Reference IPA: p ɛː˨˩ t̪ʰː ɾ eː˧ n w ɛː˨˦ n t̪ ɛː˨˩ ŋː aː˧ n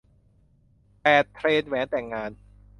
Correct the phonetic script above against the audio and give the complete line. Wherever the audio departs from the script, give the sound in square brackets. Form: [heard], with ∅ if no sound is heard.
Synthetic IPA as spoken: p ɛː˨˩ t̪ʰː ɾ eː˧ n w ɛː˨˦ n t̪ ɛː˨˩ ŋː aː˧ n

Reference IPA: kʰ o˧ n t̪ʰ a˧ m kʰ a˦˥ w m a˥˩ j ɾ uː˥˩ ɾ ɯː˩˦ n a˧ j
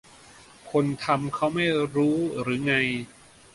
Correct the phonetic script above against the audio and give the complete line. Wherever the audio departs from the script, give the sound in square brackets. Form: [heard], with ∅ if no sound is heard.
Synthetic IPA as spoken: kʰ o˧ n t̪ʰ a˧ m kʰ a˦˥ w m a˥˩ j ɾ [uː˦˥] ɾ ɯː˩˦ [ŋ] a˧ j

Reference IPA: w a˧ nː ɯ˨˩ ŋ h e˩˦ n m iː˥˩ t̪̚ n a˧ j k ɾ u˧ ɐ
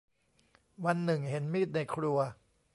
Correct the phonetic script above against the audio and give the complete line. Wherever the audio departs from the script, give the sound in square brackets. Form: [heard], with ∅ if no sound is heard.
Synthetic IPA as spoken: w a˧ nː ɯ˨˩ ŋ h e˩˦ n m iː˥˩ t̪̚ n a˧ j [kʰ] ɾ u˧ ɐ

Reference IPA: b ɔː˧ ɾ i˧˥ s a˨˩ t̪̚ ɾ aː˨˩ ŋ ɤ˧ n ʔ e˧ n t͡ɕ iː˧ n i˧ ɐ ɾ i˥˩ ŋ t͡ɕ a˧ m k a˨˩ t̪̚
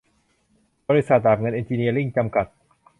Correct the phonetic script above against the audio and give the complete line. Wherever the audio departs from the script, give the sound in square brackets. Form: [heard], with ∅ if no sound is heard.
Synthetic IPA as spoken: b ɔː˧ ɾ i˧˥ s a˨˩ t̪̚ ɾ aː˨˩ ŋ ɤ˧ n ʔ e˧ n t͡ɕ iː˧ n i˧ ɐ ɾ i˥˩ ŋ t͡ɕ a˧ m k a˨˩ t̪̚

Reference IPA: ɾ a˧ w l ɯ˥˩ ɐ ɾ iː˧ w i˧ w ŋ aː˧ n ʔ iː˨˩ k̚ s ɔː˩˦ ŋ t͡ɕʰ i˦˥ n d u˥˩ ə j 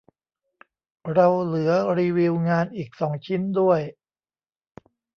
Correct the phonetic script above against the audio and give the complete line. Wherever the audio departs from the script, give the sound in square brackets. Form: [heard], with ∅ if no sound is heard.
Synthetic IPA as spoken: ɾ a˧ w l [ɯ˩˦] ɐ ɾ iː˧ w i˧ w ŋ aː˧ n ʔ iː˨˩ k̚ s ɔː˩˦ ŋ t͡ɕʰ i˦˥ n d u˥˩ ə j

